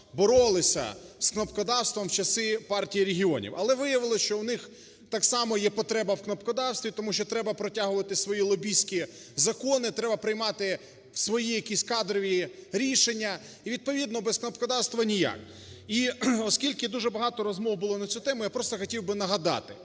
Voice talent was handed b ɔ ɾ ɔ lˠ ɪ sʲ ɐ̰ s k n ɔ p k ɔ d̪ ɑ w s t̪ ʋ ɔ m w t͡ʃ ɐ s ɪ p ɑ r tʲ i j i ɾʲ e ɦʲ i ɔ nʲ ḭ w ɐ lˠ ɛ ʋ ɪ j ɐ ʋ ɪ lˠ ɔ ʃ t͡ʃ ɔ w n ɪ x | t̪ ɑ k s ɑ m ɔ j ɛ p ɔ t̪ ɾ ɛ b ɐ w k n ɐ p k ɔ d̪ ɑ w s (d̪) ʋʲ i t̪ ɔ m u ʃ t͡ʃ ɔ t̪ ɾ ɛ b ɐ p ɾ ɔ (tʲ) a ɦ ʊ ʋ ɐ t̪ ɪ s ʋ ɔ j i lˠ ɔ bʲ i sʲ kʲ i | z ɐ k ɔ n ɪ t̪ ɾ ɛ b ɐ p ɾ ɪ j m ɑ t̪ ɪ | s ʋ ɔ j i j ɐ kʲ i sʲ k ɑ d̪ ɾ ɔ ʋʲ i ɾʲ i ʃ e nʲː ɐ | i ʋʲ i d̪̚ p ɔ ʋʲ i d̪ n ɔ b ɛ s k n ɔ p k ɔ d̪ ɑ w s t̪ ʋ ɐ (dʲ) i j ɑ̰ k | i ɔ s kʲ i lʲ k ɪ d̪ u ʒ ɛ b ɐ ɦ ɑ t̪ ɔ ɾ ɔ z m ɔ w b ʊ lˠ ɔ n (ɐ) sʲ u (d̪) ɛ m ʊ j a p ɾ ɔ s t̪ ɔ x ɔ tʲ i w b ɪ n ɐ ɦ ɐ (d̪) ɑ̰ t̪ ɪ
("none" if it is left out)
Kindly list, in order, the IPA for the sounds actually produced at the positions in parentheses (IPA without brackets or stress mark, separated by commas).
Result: t̪, tʲ, nʲ, ɐ, t̪, d̪